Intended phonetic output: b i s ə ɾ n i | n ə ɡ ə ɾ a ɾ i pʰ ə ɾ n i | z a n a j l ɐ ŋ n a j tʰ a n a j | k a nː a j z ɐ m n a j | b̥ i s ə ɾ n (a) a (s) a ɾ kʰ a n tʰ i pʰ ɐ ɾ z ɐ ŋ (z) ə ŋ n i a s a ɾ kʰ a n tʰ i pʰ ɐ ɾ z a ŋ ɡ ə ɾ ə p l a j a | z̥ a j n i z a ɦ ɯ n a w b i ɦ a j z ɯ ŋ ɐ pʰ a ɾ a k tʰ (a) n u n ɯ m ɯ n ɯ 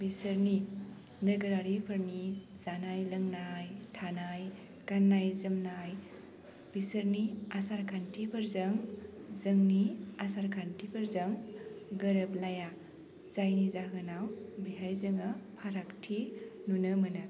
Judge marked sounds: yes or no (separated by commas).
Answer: no, yes, yes, no